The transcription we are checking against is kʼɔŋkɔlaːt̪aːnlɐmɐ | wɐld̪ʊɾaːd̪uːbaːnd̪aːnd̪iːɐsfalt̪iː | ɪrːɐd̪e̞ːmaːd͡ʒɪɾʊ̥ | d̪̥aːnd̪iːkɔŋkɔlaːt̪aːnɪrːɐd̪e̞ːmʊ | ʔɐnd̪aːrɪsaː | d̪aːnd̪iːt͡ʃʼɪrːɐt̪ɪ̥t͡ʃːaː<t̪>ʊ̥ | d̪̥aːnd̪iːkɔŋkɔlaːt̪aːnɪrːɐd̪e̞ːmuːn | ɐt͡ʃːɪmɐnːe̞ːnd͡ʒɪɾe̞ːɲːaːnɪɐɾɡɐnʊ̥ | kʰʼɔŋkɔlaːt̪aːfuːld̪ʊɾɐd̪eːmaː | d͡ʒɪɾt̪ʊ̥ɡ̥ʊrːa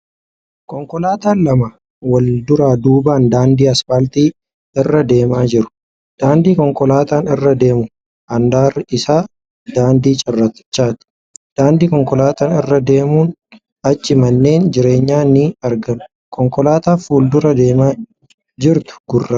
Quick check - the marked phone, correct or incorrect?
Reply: correct